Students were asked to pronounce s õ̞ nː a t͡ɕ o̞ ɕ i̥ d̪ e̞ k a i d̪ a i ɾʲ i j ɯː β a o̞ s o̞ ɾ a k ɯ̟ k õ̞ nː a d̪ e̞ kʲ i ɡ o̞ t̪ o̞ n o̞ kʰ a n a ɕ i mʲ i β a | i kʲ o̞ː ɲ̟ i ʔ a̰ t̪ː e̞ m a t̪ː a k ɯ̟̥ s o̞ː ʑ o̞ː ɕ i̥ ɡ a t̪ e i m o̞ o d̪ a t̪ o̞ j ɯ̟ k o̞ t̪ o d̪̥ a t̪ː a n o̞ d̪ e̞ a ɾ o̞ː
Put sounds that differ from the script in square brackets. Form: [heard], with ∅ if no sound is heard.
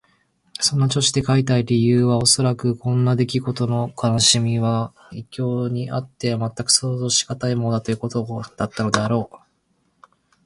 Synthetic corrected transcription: s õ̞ nː a t͡ɕ o̞ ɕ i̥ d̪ e̞ k a i [t̪] a i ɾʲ i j ɯː β a o̞ s o̞ ɾ a k ɯ̟ k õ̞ nː a d̪ e̞ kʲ i ɡ o̞ t̪ o̞ n o̞ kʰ a n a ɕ i mʲ i β a | i kʲ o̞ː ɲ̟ i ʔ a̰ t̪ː e̞ m a t̪ː a k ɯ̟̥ s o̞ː [z] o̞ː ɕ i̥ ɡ a t̪ [a] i m o̞ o d̪ a t̪ o̞ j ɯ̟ k o̞ t̪ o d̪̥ a t̪ː a n o̞ d̪ e̞ a ɾ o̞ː